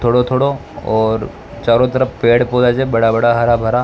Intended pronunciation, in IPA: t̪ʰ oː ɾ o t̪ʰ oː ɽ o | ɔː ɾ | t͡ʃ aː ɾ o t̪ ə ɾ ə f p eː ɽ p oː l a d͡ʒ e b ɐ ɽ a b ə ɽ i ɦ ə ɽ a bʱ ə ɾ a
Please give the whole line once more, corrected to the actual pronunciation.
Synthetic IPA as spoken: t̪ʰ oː ɽ o t̪ʰ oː ɽ o | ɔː ɾ | t͡ʃ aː ɾ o t̪ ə ɾ ə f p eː ɽ p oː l a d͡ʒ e b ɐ ɽ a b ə ɽ a ɦ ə ɾ a bʱ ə ɾ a